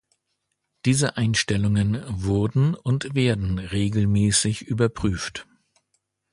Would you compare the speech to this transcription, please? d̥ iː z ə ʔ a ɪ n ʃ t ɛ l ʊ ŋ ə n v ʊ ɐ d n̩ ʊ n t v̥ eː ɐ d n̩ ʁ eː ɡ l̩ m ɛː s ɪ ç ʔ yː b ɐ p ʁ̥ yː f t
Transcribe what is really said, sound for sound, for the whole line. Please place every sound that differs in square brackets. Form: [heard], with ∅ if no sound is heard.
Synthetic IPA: d̥ iː z ə ʔ a ɪ n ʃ t ɛ l ʊ ŋ ə n v ʊ ɐ d n̩ ʊ n t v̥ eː ɐ d n̩ ʁ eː ɡ l̩ m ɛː s ɪ ç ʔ yː b ɐ p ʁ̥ yː f t